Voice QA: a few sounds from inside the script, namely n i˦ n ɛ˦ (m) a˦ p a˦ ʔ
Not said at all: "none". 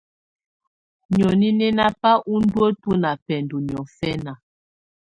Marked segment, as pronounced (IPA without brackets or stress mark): n